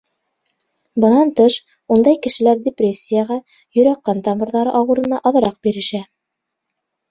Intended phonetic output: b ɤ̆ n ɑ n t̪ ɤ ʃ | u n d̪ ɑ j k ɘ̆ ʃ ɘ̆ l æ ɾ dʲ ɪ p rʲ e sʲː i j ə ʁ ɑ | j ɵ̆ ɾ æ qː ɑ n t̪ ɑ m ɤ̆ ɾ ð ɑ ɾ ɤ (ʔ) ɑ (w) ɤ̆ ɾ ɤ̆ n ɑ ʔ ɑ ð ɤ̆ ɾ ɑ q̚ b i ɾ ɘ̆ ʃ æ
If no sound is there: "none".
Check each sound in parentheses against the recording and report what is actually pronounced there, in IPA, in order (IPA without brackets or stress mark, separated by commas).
ʔ, w